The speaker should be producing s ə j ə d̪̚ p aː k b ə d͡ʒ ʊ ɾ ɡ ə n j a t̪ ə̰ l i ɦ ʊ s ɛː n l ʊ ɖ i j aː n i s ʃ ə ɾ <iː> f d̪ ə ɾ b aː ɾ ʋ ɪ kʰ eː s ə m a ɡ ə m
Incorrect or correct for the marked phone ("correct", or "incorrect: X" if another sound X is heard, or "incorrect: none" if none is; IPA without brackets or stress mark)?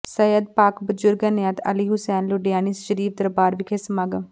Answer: correct